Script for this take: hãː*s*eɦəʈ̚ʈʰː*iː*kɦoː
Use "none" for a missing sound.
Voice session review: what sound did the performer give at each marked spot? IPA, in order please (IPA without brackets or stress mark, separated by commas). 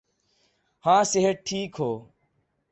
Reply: s, iː